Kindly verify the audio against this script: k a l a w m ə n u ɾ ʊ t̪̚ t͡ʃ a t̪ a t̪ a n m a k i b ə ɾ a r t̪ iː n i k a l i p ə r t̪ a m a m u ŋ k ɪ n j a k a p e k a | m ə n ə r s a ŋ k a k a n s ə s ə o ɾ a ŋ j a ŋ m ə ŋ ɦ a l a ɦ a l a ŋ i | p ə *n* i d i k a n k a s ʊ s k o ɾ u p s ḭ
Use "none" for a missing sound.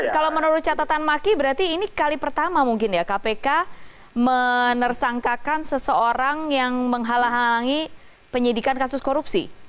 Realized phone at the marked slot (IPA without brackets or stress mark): ɲ